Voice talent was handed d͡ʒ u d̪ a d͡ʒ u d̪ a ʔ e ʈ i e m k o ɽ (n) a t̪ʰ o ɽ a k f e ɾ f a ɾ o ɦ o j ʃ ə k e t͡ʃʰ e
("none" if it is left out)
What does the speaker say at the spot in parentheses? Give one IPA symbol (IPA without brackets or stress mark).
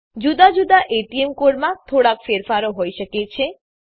m